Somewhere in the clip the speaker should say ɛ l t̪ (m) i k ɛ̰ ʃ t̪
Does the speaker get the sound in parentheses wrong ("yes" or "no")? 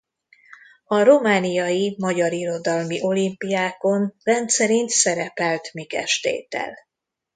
no